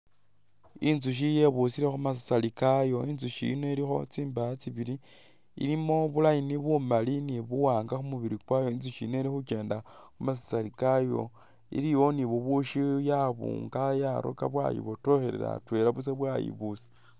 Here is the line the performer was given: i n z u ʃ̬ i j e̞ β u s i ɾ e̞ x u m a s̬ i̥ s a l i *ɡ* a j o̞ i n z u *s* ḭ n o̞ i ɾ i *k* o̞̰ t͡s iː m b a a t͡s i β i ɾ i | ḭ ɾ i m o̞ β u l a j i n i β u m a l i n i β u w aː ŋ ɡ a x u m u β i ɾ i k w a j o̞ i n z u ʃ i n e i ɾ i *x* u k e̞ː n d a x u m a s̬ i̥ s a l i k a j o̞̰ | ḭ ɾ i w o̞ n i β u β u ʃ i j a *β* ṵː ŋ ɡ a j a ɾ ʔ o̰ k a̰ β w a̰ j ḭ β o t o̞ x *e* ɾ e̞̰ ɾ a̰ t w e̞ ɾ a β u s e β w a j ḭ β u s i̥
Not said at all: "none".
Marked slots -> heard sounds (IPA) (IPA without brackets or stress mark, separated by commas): k, ʃ, x, x, β, e